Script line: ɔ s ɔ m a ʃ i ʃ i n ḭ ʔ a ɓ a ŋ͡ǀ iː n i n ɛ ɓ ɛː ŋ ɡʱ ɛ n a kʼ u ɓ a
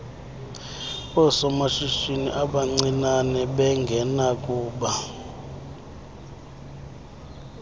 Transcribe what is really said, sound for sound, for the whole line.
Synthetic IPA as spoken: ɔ s ɔ m a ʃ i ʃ i n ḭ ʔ a ɓ a ŋ͡ǀ i n a n ɛ ɓ ɛ ŋ ɡʱ ɛ n a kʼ uː ɓ a